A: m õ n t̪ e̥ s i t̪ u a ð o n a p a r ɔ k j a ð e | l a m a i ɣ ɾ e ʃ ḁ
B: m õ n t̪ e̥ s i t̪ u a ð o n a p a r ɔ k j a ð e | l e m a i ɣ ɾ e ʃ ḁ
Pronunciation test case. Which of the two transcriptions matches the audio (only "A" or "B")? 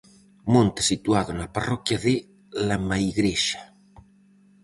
A